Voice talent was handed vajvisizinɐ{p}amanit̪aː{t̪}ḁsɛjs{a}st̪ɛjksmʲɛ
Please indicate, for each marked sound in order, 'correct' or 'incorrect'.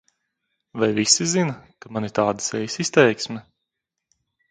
incorrect, incorrect, incorrect

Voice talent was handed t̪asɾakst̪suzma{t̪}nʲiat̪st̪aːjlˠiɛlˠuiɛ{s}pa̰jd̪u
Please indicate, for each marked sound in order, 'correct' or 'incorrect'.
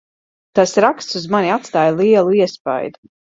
incorrect, correct

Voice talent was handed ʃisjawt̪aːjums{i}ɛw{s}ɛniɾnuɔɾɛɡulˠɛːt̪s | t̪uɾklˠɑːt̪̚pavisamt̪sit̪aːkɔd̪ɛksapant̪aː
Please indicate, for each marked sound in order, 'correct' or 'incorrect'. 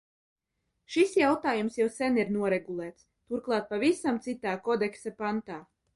incorrect, correct

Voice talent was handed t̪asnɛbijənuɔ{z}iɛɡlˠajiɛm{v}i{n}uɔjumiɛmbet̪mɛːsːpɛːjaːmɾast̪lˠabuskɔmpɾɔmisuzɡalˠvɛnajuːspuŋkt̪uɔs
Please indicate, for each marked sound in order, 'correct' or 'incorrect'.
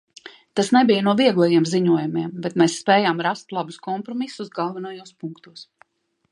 incorrect, incorrect, incorrect

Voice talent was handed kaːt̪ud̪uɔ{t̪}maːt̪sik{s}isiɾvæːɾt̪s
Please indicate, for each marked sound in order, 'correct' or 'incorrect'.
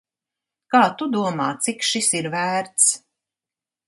incorrect, incorrect

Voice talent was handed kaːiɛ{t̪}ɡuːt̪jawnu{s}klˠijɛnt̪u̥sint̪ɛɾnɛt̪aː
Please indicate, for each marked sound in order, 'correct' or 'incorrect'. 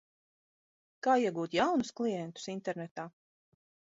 incorrect, correct

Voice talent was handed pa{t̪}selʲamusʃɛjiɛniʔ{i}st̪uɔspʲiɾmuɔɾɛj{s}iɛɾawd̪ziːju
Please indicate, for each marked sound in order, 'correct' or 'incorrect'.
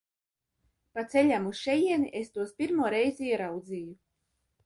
correct, incorrect, incorrect

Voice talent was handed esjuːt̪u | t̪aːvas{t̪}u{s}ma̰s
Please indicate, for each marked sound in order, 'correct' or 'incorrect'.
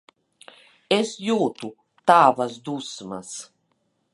incorrect, correct

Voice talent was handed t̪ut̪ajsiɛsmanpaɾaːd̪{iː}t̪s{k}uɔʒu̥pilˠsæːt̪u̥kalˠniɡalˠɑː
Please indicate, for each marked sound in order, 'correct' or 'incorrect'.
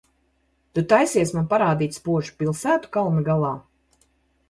correct, incorrect

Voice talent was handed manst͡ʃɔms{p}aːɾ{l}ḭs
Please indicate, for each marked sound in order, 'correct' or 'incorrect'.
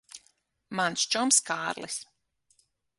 incorrect, correct

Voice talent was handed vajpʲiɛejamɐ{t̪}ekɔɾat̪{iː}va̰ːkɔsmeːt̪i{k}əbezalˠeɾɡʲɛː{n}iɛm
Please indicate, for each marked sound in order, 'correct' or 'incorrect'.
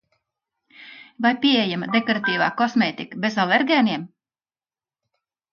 incorrect, correct, correct, correct

